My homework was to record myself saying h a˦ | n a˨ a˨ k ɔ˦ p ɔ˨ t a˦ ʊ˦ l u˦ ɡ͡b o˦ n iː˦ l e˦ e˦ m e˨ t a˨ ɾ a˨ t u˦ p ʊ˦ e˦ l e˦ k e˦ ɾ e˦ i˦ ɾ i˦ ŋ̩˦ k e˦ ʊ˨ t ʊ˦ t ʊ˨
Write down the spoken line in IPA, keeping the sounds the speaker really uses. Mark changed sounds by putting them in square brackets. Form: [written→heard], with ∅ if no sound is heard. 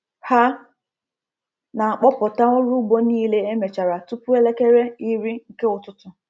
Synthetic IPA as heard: h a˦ | n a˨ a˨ [k→k͡p] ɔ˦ p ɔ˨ t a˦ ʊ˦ [l→ɾ] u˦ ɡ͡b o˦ n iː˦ l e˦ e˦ m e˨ [t→t͡ʃ] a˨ ɾ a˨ t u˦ p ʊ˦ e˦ l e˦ k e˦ ɾ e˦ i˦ ɾ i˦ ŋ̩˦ k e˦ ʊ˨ t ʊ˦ t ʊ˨